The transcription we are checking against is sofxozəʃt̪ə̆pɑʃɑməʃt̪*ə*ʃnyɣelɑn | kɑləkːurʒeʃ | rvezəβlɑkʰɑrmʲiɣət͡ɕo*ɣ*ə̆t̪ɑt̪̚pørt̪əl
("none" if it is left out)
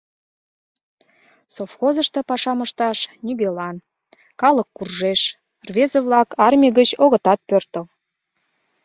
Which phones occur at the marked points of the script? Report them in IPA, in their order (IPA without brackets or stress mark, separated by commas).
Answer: ɑ, ɣ